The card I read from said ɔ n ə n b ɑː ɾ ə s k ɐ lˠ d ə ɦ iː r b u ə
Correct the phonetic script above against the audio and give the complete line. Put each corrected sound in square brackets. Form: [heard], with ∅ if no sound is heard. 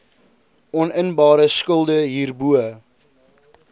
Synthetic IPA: ɔ n ə n b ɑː ɾ ə s k [ə] lˠ d ə ɦ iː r b u ə